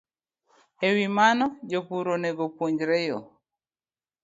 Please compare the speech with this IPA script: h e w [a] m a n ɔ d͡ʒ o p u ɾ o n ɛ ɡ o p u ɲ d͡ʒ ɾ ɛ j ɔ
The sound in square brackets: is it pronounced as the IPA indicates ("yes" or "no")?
no